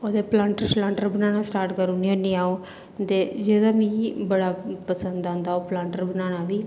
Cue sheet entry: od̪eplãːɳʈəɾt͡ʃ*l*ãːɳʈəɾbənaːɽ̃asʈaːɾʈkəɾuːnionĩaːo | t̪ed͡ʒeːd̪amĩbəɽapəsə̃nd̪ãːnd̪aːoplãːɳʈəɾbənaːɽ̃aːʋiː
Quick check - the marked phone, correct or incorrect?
correct